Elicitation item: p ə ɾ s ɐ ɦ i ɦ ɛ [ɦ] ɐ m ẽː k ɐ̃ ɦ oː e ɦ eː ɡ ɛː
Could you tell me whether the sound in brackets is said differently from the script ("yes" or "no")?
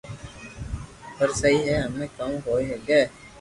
no